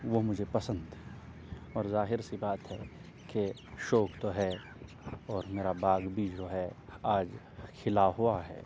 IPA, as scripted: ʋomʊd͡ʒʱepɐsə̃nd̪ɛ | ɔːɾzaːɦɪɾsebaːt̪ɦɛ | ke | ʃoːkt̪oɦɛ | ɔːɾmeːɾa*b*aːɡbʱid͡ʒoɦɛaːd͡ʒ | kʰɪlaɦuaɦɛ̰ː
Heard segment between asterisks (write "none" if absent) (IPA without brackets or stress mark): b